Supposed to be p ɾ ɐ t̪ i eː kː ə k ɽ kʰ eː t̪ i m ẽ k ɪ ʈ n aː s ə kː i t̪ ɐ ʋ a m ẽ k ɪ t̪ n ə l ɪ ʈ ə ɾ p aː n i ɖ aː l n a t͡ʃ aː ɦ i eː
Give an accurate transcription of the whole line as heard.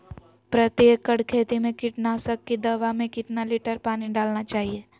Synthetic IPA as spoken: p ɾ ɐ t̪ j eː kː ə ɽ kʰ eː t̪ i m ẽ k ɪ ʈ n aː s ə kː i d̪ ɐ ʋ a m ẽ k ɪ t̪ n a l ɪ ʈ ə ɾ p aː n i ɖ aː l n a t͡ʃ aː ɦ i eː